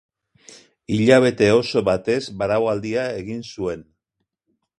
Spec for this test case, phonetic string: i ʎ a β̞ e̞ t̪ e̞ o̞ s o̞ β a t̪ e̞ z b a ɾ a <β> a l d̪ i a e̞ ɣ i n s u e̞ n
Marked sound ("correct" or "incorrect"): incorrect